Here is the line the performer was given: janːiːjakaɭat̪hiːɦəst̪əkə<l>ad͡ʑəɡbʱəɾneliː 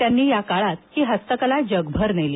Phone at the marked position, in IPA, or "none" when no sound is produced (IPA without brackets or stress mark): l